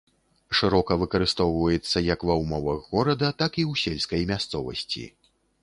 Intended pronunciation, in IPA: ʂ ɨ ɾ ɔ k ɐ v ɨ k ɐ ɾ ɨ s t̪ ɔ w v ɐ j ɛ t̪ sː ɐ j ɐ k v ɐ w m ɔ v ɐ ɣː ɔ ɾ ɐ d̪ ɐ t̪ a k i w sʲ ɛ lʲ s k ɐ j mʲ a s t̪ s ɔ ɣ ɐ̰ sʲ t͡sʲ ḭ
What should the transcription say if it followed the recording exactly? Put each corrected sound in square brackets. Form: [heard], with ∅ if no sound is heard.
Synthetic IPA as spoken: ʂ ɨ ɾ ɔ k ɐ v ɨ k ɐ ɾ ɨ s t̪ ɔ w v ɐ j ɛ t̪ sː ɐ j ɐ k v ɐ w m ɔ v ɐ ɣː ɔ ɾ ɐ d̪ ɐ t̪ a k i w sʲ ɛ lʲ s k ɐ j mʲ a s t̪ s ɔ [v] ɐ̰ sʲ t͡sʲ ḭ